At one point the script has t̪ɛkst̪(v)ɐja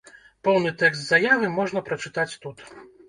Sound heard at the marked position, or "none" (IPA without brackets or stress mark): z